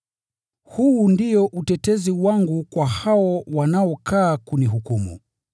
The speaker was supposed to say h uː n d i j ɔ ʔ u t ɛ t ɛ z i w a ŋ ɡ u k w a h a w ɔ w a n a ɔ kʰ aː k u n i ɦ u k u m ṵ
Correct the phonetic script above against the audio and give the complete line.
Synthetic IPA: h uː n d i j ɔ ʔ u t ɛ t ɛ z i w a ŋ ɡ u k w a h a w ɔ w a n a ɔ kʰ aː k u n i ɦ u k u m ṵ